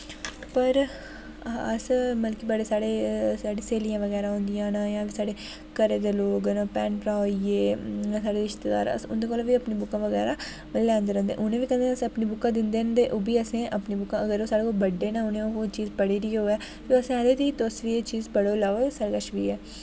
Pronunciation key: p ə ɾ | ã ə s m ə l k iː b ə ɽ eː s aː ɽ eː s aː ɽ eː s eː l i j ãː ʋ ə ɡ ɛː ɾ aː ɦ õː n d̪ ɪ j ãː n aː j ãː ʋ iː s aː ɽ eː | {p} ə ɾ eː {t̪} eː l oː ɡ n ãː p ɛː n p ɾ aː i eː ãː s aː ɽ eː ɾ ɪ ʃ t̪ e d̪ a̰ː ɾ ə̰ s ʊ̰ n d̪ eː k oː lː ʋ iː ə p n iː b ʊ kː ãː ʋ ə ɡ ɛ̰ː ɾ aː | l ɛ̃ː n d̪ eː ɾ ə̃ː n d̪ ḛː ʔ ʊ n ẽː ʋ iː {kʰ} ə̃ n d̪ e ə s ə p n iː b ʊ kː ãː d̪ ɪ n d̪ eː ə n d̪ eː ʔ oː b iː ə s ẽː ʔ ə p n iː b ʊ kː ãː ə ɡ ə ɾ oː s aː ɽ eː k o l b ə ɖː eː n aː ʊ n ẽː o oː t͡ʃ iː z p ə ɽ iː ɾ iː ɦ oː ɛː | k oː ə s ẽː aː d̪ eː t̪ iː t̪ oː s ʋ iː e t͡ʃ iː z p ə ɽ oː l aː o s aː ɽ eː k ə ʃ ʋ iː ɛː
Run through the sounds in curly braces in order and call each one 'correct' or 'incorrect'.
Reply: incorrect: k, incorrect: d̪, incorrect: k

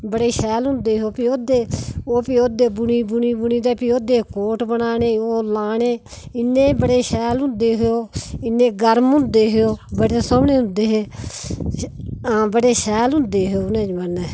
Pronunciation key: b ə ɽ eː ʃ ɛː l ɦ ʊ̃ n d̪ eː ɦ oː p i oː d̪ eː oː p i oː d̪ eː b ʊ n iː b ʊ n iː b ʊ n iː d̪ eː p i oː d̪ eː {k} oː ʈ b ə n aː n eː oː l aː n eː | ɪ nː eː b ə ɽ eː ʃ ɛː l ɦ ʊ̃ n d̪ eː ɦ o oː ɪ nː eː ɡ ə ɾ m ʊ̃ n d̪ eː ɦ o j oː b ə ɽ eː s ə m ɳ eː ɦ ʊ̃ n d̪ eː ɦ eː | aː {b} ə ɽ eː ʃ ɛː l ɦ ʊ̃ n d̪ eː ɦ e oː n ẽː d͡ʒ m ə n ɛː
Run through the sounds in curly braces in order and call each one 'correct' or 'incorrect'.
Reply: correct, correct

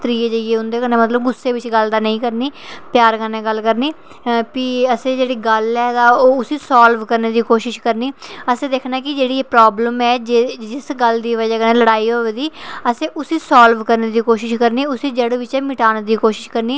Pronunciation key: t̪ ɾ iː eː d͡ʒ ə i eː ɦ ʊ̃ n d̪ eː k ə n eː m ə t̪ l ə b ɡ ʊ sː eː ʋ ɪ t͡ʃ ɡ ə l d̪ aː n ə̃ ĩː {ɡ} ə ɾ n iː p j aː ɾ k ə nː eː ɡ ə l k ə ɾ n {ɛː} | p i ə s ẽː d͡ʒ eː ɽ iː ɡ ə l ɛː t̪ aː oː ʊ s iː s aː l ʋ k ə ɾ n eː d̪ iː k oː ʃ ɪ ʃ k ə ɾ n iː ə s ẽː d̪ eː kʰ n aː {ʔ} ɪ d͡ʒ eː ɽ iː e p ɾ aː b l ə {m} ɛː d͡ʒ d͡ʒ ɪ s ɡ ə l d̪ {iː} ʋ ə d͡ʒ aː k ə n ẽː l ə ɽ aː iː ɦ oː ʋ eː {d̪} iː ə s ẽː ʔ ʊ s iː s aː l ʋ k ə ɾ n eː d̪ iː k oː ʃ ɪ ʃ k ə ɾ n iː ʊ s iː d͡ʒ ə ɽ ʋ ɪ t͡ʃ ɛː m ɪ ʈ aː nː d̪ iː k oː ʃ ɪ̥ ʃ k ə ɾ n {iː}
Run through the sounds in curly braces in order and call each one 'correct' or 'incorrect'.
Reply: incorrect: k, incorrect: iː, incorrect: k, correct, correct, correct, correct

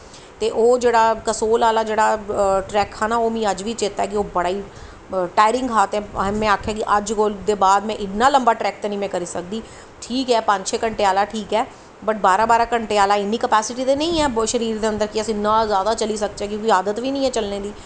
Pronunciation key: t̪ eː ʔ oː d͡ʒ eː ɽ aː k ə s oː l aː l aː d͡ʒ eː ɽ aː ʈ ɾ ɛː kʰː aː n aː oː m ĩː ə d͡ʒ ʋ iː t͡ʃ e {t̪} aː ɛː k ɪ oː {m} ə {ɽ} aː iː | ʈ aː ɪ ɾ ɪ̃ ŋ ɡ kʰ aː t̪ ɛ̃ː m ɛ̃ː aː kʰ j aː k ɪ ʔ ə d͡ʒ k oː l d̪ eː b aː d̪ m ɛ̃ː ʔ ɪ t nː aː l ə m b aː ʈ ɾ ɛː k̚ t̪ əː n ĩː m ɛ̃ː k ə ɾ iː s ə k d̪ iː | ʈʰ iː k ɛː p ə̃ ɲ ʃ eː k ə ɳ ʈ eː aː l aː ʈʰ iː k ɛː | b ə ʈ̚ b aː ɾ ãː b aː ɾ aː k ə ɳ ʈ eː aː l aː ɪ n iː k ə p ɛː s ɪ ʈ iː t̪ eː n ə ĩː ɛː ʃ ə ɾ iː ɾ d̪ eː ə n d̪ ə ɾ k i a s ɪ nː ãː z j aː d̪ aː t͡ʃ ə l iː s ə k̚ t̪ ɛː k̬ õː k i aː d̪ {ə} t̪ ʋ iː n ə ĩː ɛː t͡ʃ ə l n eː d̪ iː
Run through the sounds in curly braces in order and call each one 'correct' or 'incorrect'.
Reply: correct, incorrect: b, correct, correct

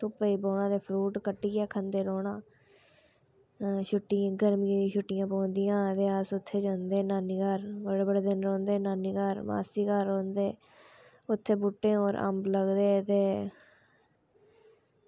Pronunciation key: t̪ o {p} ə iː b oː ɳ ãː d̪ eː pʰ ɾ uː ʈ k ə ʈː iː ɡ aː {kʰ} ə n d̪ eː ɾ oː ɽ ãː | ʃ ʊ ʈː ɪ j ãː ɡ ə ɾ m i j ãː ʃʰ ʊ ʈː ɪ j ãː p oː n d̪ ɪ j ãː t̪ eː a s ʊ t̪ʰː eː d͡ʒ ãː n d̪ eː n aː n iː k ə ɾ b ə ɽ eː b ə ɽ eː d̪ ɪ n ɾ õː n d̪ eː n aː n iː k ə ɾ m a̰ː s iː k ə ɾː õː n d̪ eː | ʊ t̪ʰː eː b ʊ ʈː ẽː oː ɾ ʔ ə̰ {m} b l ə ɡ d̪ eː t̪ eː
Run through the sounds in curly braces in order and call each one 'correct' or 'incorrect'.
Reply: correct, correct, correct

